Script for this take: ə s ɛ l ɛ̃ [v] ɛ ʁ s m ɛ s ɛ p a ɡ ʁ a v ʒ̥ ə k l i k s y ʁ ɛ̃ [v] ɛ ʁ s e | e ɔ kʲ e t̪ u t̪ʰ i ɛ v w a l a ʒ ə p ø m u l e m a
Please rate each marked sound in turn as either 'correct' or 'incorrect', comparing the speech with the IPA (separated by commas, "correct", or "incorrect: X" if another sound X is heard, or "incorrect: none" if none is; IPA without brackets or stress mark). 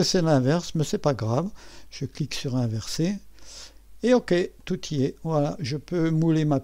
correct, correct